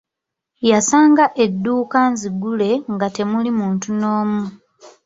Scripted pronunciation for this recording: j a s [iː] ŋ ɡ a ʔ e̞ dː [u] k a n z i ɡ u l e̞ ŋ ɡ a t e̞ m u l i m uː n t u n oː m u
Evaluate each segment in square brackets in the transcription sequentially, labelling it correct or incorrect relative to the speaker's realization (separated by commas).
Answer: incorrect, incorrect